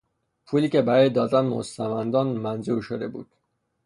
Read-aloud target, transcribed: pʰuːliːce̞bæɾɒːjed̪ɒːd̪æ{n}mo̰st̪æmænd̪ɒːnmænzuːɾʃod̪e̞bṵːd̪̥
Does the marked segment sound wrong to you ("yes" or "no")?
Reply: no